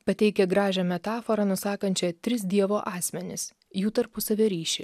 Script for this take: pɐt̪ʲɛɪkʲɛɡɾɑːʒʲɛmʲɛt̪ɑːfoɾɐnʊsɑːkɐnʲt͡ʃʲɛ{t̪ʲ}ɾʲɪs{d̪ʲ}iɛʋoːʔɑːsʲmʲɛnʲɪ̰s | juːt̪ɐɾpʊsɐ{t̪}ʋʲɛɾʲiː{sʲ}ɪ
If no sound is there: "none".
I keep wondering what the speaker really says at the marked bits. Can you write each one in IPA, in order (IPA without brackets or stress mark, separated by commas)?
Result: t̪ʲ, d̪ʲ, none, ʃʲ